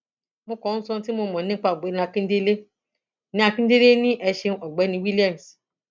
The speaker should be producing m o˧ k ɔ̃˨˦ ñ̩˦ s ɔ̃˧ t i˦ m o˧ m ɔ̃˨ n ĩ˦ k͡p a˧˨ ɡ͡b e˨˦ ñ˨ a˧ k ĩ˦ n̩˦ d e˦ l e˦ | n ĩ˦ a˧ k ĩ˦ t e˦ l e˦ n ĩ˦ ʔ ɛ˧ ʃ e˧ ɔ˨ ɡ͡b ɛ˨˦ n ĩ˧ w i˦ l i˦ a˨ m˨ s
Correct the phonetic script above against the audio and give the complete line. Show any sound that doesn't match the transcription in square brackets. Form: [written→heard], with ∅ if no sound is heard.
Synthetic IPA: m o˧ k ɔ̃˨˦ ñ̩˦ s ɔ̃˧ t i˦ m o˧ m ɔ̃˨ n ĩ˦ k͡p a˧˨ ɡ͡b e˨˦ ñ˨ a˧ k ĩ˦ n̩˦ d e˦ l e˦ | n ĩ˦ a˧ k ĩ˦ [t→d] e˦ l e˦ n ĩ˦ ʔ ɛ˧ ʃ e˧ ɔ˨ ɡ͡b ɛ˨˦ n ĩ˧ w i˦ l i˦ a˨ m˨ s